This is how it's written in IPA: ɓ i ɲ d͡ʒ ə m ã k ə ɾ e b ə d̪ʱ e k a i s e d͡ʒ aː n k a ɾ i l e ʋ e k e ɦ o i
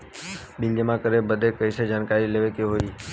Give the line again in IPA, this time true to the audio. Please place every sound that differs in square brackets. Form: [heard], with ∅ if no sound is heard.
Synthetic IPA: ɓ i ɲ d͡ʒ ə m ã k ə ɾ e b ə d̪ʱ e k [ə] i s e d͡ʒ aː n k a ɾ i l e ʋ e k e ɦ o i

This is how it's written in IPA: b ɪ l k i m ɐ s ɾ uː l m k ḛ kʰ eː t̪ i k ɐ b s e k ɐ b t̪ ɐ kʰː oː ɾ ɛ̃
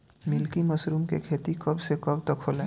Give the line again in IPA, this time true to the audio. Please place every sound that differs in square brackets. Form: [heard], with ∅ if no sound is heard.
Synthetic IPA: [m] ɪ l k i m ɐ s ɾ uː [∅] m k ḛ kʰ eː t̪ i k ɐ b s e k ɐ b t̪ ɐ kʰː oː [l] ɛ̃

